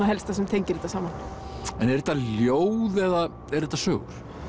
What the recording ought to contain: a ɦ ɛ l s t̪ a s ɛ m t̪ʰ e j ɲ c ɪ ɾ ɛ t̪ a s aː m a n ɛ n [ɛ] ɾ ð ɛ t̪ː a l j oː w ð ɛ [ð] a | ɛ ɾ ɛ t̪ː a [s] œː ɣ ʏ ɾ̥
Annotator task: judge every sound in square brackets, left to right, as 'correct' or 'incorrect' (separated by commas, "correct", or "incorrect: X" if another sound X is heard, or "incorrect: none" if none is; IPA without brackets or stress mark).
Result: correct, correct, correct